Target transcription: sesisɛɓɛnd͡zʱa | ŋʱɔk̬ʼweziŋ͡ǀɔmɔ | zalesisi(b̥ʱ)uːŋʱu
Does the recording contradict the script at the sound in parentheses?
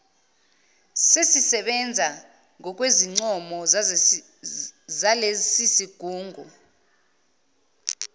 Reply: yes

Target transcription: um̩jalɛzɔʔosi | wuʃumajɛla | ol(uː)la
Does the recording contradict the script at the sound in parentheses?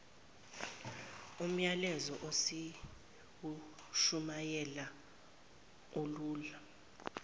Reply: no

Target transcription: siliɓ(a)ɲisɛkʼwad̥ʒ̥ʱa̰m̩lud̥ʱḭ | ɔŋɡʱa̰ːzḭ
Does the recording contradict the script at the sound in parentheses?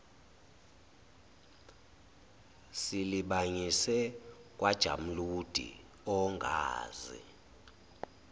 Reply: no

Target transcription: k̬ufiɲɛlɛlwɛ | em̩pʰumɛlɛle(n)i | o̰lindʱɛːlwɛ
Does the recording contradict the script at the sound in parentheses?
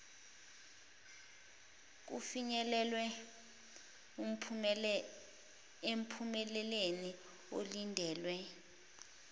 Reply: no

